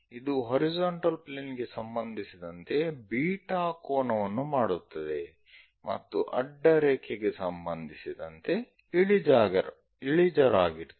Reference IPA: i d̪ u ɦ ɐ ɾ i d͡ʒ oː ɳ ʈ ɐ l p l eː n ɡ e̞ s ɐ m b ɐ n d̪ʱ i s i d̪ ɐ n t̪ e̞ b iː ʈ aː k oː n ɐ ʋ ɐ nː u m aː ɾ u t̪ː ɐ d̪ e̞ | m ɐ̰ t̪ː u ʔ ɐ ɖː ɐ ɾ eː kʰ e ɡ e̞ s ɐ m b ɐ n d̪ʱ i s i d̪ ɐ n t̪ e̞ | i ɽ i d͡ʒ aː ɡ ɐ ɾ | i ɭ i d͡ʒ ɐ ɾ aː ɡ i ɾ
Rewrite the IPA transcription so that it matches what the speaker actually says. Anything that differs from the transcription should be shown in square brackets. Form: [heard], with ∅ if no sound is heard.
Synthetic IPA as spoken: i d̪ u ɦ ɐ ɾ i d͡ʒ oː ɳ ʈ ɐ l p l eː n ɡ e̞ s ɐ m b ɐ n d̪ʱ i s i d̪ ɐ n t̪ e̞ b iː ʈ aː k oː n ɐ ʋ ɐ nː u m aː [ɽ] u t̪ː ɐ d̪ e̞ | m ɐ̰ t̪ː u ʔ ɐ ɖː ɐ ɾ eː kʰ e ɡ e̞ s ɐ m b ɐ n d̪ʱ i s i d̪ ɐ n t̪ e̞ | i [ɭ] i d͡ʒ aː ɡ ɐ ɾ | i ɭ i d͡ʒ ɐ ɾ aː ɡ i ɾ